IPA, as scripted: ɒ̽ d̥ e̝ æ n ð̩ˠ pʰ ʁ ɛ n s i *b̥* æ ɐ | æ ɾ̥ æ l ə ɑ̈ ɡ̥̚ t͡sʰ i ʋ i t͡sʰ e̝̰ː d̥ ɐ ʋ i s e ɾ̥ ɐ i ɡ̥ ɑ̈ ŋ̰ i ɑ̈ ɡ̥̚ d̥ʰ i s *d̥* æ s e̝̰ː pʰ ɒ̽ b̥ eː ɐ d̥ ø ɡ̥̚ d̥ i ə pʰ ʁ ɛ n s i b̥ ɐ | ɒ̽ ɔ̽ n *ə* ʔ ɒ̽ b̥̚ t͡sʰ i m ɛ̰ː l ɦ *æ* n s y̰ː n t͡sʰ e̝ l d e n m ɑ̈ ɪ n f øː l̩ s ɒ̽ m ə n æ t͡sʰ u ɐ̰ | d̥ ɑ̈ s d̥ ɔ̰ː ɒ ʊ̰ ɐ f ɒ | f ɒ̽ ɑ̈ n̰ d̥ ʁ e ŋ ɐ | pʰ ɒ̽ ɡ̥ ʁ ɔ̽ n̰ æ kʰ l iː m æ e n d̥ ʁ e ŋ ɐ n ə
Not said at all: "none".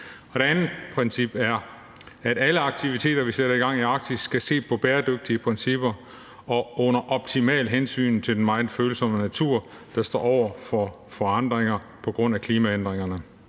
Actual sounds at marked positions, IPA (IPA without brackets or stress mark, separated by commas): b̥, ɡ̥, ɐ, e